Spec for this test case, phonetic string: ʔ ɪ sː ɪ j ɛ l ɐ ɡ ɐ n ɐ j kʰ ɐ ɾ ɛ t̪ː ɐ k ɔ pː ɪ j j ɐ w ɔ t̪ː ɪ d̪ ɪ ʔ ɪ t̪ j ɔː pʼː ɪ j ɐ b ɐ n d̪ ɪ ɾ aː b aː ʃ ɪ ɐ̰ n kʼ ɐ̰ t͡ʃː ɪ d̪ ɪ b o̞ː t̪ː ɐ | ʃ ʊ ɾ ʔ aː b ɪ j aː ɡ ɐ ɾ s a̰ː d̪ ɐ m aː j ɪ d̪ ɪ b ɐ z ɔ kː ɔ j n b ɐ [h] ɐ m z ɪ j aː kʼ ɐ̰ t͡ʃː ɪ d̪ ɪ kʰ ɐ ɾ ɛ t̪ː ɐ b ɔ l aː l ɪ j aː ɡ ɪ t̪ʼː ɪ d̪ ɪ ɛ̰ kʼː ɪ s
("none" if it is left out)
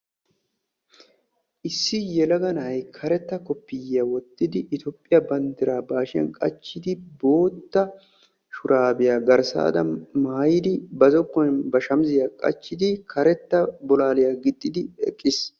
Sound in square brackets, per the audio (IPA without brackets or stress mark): ʃ